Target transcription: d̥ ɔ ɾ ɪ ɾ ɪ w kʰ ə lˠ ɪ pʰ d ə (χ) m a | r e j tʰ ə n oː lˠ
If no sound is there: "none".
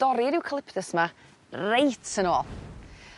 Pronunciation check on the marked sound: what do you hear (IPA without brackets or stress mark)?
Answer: s